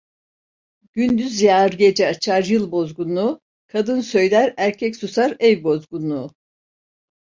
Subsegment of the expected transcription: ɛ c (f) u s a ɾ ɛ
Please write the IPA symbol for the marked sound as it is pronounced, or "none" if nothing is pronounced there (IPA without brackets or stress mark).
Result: s